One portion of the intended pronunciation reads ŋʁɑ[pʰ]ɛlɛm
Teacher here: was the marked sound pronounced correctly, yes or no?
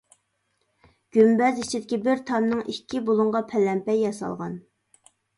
yes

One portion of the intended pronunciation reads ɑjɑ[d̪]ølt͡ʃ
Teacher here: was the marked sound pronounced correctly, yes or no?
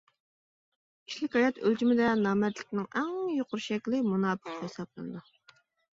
no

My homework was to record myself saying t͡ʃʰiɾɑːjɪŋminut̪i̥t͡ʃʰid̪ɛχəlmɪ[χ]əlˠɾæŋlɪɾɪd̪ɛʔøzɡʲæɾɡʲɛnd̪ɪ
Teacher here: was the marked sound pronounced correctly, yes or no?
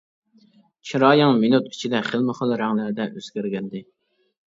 yes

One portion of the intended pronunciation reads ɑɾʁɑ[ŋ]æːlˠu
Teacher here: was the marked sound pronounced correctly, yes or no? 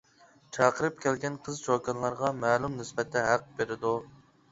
no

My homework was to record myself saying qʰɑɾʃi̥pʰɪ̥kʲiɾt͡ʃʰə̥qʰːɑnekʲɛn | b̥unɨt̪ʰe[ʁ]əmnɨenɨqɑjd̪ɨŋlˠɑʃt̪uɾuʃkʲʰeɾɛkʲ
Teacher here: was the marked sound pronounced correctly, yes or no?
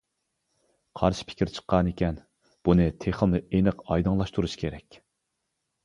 no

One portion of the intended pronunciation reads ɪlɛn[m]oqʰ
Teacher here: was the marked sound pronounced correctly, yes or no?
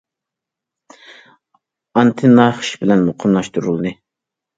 yes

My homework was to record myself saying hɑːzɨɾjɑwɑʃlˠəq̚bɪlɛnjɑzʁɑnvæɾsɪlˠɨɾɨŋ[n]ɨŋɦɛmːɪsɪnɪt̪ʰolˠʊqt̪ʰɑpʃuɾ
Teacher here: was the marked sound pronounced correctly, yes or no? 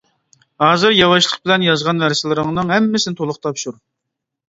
yes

